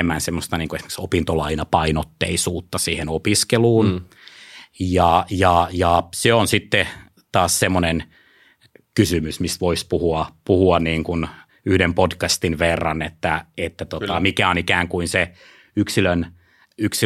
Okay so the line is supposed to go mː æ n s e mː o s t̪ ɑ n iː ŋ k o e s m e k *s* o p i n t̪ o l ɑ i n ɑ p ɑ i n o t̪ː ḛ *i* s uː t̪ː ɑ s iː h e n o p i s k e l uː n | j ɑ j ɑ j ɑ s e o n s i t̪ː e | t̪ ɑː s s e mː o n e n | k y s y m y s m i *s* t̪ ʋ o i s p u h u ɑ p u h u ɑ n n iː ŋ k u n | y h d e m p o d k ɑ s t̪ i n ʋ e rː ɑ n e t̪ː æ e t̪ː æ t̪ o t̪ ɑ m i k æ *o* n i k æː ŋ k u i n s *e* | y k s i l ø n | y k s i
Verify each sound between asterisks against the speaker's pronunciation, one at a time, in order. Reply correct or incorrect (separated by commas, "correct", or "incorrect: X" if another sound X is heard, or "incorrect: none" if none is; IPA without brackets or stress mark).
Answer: correct, correct, correct, correct, correct